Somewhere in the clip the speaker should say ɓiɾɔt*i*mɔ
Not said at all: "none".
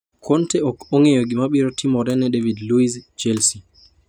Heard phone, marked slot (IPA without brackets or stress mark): i